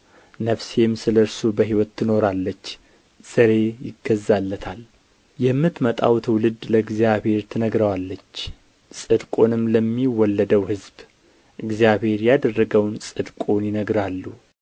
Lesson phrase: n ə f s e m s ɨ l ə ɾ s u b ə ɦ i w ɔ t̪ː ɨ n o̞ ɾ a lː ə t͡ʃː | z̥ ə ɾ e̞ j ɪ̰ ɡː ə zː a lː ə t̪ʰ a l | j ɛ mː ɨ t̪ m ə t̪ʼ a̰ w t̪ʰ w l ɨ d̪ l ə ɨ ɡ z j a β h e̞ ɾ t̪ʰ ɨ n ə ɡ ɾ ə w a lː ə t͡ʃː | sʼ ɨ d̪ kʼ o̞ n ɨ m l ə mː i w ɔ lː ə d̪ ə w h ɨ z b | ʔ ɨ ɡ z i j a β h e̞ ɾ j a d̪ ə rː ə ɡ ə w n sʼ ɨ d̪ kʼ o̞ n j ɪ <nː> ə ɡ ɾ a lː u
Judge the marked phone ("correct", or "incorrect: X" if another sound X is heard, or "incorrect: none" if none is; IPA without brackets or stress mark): incorrect: n